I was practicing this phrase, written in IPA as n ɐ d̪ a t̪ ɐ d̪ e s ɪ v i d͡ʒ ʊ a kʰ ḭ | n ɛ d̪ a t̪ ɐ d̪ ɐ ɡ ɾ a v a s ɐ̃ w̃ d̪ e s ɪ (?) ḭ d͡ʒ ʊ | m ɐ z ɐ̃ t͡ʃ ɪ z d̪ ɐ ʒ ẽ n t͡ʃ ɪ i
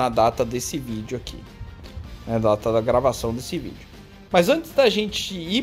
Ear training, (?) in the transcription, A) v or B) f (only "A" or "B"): A